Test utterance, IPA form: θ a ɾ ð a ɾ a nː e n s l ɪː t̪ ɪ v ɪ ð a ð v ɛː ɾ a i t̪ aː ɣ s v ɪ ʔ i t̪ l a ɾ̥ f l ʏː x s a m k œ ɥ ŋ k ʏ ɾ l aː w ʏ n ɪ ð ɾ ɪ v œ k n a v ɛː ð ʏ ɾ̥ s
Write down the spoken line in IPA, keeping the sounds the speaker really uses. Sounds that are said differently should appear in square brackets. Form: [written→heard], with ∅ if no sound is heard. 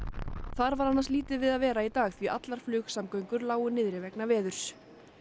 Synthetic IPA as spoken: θ a ɾ [ð→v] a ɾ a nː [e→a] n s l [ɪː→iː] t̪ ɪ v ɪ ð a ð v ɛː ɾ a i t̪ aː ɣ [s→θ] v [ɪ→i] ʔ [i→a] t̪ l a ɾ̥ f l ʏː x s a m k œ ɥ ŋ k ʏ ɾ l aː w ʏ n ɪ ð ɾ ɪ v [œ→ɛ] k n a v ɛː ð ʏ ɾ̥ s